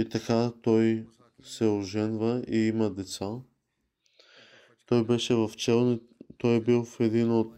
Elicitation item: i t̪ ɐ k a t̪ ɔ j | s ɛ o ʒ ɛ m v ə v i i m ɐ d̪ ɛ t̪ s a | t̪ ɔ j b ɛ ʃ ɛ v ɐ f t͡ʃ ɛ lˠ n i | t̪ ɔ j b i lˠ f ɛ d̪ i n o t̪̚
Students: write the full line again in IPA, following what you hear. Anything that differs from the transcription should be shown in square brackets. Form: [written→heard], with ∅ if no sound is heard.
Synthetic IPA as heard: i t̪ ɐ k a t̪ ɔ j | s ɛ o ʒ ɛ [m→n] v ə [v→∅] i i m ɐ d̪ ɛ t̪ s a | t̪ ɔ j b ɛ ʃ ɛ v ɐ f t͡ʃ ɛ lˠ n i | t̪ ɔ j b i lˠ f ɛ d̪ i n o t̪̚